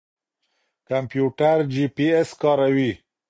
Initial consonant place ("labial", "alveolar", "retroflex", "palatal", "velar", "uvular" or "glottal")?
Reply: velar